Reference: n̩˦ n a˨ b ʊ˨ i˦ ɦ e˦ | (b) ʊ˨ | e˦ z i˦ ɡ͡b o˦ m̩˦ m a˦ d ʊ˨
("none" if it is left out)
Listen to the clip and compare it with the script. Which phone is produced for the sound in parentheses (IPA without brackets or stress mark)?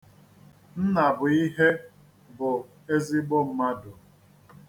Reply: b